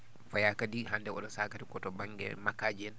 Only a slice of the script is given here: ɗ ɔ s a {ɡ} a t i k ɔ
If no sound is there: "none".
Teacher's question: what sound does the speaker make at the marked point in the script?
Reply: k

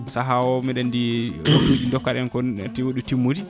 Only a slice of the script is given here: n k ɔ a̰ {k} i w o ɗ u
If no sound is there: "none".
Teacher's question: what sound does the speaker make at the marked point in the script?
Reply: t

